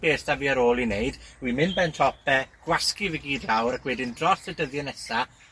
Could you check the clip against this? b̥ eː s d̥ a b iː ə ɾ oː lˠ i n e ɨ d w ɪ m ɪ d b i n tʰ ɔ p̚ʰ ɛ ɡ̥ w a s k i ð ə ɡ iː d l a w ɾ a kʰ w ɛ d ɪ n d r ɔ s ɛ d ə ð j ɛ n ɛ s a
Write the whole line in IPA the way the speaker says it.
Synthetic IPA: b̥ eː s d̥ a v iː ə ɾ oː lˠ i n e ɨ d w i m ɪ n b ɛ n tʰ ɔ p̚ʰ ɛ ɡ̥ w a s k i v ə ɡ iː d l a w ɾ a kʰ w ɛ d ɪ n d r ɔ s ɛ d ə ð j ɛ n ɛ s a